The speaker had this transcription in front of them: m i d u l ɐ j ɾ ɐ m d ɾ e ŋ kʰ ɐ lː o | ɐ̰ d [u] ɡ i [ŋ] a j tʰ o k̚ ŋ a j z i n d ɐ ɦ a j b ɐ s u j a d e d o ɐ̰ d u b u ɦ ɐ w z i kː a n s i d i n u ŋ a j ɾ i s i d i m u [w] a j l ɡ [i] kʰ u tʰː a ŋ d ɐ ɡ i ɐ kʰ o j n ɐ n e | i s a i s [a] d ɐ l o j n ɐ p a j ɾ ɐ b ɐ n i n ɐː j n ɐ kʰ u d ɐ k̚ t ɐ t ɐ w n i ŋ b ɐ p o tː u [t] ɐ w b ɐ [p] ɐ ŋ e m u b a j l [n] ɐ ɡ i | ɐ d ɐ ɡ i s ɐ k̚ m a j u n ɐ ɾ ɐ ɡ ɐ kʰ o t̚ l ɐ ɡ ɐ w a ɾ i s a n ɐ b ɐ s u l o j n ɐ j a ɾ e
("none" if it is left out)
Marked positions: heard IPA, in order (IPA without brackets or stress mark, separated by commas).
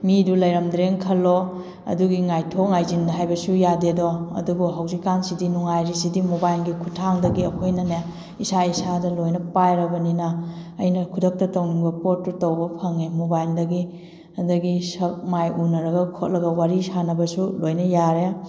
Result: u, ŋ, b, i, a, t, pʰ, d